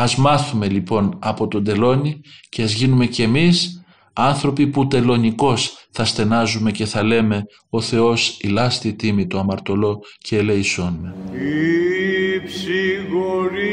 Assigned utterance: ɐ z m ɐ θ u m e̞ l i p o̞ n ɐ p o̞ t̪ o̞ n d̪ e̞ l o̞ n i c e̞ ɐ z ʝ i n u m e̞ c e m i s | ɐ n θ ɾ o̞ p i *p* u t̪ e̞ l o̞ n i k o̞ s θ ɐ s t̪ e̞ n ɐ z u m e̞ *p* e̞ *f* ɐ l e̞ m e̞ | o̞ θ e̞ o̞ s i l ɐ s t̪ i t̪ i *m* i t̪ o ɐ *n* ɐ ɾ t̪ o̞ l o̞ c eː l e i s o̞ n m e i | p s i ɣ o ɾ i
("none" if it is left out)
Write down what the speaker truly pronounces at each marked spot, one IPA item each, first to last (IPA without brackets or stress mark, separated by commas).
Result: p, c, θ, m, m